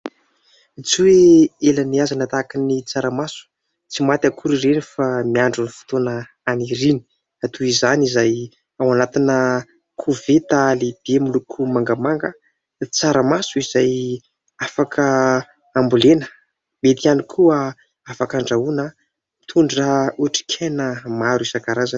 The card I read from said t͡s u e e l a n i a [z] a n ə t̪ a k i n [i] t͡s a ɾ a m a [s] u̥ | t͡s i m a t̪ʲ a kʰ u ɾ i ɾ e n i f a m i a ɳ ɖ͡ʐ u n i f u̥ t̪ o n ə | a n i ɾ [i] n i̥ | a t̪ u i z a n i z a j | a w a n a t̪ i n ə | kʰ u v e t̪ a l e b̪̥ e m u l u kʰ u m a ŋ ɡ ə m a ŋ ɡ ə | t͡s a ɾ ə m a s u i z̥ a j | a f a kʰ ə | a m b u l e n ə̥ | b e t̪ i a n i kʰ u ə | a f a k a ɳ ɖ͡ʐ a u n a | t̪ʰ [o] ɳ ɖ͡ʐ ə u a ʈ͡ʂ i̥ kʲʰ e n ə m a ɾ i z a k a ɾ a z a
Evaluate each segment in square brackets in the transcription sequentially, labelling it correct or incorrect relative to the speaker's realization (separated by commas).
correct, correct, correct, correct, incorrect